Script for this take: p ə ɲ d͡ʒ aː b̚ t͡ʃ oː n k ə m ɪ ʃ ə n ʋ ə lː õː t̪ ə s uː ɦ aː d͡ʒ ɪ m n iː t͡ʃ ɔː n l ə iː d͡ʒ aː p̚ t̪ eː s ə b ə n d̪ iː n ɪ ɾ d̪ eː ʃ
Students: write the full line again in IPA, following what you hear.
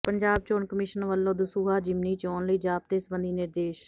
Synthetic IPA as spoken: p ə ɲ d͡ʒ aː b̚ t͡ʃ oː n k ə m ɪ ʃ ə n ʋ ə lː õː d̪ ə s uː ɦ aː d͡ʒ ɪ m n iː t͡ʃ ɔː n l ə iː d͡ʒ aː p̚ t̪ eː s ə b ə n d̪ iː n ɪ ɾ d̪ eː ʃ